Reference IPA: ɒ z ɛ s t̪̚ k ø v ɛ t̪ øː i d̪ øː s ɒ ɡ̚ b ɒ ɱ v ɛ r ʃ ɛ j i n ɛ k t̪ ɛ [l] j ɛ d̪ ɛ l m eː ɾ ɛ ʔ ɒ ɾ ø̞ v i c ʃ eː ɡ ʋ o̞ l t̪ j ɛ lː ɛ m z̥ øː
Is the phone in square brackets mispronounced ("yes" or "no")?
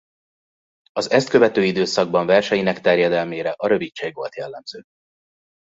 yes